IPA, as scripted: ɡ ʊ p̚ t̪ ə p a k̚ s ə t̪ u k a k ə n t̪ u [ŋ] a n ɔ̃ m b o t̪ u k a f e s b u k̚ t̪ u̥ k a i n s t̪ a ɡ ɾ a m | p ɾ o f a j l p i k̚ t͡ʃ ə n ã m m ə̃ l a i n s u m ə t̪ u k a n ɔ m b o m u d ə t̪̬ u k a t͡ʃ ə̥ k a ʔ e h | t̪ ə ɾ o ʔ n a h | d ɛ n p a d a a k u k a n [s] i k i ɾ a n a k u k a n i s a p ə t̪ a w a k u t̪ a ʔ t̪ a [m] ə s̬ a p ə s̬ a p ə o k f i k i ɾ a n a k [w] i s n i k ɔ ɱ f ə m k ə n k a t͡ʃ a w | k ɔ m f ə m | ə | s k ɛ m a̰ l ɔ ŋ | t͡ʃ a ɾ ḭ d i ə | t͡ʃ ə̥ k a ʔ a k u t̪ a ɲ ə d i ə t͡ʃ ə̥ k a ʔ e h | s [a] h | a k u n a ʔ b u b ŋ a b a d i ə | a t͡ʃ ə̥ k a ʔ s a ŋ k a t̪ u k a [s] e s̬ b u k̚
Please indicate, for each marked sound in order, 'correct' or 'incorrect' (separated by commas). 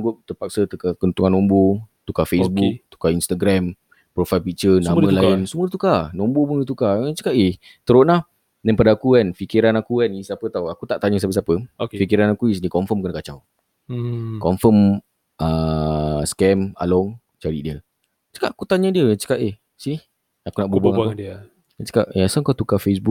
correct, incorrect, incorrect, incorrect, incorrect, incorrect